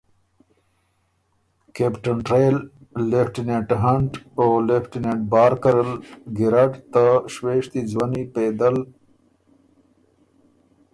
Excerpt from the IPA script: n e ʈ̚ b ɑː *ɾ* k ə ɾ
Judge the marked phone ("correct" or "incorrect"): correct